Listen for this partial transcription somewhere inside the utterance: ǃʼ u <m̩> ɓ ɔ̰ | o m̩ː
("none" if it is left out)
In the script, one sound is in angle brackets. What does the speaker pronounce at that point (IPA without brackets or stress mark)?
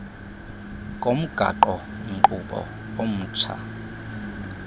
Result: none